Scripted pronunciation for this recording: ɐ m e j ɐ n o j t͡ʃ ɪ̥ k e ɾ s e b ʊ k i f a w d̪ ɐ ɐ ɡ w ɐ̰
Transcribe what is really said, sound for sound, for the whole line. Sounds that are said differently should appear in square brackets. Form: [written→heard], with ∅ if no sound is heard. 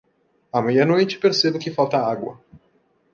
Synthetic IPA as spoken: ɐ m e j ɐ n o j t͡ʃ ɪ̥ [k→p] e ɾ s e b ʊ k [i→ɪ] f a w [d̪→t̪] ɐ [ɐ→a] ɡ w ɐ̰